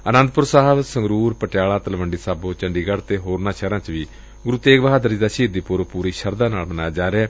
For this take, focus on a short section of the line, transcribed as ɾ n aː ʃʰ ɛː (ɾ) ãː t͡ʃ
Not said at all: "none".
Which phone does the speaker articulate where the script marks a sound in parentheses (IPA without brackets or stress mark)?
ɾ